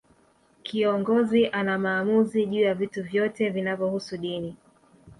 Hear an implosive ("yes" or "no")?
yes